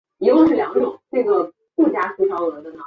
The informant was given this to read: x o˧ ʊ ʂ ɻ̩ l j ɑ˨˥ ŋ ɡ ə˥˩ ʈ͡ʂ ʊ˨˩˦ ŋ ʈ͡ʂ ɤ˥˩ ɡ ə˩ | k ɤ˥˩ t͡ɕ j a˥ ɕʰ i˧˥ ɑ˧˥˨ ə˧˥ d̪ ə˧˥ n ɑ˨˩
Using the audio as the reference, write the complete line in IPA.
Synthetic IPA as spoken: x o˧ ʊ ʂ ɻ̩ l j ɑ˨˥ ŋ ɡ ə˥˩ ʈ͡ʂ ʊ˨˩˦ ŋ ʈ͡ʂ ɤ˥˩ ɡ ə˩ | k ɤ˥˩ t͡ɕ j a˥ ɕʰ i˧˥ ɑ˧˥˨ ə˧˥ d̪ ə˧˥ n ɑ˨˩